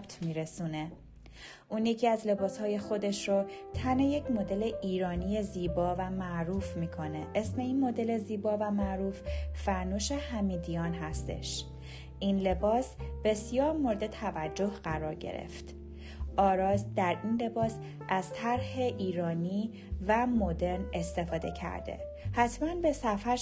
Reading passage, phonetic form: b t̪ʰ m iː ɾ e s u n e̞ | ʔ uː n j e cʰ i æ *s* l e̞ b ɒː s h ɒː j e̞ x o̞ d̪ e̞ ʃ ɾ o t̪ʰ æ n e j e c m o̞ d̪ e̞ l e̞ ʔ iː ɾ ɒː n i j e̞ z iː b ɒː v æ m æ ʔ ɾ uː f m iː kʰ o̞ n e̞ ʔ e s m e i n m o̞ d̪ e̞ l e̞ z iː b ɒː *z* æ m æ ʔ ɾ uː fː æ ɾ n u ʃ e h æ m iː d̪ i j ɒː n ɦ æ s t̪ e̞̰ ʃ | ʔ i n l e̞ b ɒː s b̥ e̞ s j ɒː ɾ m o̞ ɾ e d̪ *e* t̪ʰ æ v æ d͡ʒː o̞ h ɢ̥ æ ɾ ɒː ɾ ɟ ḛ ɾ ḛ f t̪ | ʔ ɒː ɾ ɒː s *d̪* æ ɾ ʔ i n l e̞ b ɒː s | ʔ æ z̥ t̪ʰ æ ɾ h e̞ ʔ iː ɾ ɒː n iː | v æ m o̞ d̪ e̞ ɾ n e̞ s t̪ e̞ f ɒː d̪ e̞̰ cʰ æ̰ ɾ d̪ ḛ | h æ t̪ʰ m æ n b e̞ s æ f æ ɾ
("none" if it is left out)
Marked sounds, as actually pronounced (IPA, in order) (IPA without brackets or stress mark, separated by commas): z, v, e, d̪